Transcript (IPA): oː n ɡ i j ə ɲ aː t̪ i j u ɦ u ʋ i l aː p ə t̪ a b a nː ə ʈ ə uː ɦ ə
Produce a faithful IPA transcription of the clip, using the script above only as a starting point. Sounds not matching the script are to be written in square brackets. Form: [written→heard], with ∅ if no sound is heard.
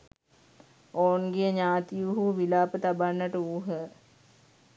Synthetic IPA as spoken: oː n ɡ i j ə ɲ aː t̪ i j u ɦ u ʋ i l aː p ə t̪ a b a nː ə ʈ ə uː ɦ ə